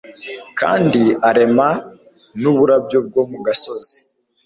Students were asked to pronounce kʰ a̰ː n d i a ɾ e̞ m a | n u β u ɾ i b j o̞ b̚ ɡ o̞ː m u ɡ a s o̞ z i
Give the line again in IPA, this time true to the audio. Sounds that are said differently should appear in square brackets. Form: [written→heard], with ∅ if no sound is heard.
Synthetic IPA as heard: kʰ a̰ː n d i a ɾ e̞ m a | n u β u ɾ [i→a] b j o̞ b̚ ɡ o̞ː m u ɡ a s o̞ z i